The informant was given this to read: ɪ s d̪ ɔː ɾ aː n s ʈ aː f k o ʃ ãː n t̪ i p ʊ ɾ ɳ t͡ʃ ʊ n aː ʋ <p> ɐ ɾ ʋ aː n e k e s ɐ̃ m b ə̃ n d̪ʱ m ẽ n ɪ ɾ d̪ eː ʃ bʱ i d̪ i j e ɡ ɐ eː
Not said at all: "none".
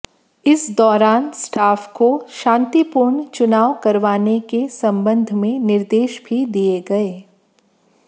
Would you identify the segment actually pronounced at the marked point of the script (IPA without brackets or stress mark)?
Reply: k